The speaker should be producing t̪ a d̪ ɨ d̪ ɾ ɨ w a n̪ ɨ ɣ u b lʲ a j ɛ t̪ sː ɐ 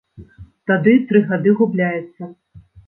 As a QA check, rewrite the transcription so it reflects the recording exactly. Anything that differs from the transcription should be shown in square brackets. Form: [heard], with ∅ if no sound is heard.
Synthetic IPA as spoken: t̪ a d̪ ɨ [t̪] ɾ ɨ [ɣ] a [d̪] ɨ ɣ u b lʲ a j ɛ t̪ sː ɐ